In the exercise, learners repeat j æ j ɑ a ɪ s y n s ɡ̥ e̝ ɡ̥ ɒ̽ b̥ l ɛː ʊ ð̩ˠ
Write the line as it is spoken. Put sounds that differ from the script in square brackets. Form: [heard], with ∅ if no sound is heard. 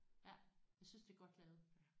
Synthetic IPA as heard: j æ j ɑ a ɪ s y n s [d̥] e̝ ɡ̥ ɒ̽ [d̥] l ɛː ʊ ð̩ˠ